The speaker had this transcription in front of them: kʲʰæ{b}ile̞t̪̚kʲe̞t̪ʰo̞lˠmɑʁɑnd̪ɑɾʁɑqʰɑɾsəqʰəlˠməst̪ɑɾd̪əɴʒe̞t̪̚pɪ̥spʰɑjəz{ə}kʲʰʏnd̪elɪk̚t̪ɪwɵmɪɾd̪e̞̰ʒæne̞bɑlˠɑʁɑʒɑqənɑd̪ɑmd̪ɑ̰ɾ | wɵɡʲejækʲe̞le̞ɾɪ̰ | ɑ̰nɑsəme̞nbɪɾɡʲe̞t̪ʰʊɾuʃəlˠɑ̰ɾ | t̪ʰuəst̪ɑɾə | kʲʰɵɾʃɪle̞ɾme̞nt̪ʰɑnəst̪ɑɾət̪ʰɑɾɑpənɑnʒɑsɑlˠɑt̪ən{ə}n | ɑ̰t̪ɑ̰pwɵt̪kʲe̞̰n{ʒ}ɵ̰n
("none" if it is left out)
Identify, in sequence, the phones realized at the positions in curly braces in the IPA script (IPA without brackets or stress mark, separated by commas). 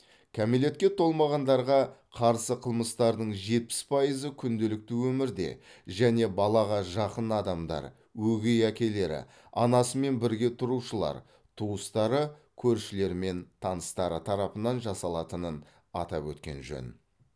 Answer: m, ə, ə, ʒ